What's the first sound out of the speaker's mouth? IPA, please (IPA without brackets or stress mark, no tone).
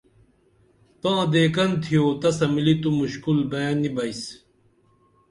t̪